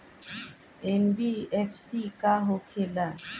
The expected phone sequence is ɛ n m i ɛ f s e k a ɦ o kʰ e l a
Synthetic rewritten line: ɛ n b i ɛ f s i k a ɦ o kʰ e l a